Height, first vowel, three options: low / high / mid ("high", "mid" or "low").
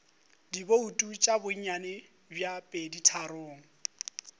high